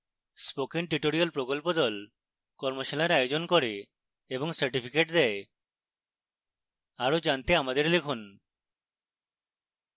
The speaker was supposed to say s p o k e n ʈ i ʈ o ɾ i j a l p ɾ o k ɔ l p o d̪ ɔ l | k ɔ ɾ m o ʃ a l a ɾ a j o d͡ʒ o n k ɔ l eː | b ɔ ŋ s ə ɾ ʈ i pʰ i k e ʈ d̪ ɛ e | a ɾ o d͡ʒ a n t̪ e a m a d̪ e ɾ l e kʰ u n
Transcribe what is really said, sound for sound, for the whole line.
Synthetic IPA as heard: s p o k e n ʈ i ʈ o ɾ i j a l p ɾ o k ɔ l p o d̪ ɔ l | k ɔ ɾ m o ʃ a l a ɾ a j o d͡ʒ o n k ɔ ɾ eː | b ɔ ŋ s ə ɾ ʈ i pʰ i k e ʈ d̪ ɛ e | a ɾ o d͡ʒ a n t̪ e a m a d̪ e ɾ l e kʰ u n